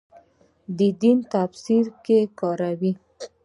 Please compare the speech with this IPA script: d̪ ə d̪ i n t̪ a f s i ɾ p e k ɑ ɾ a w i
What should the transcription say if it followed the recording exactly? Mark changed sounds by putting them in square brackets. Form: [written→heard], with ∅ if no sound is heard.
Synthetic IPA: d̪ ə d̪ i n t̪ a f s i ɾ [p→k] e k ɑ ɾ a w i